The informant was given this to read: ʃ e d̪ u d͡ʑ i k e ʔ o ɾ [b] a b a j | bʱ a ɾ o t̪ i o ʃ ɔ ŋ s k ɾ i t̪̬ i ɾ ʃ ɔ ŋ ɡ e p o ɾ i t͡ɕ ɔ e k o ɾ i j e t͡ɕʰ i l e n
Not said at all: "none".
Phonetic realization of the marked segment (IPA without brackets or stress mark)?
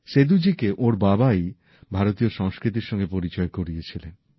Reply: b